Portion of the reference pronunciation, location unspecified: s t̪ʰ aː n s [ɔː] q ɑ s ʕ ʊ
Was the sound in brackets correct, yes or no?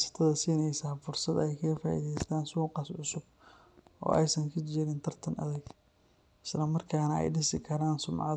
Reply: no